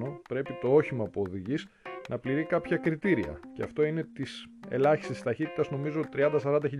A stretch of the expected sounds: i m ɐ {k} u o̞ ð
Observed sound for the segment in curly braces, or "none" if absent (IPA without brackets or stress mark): p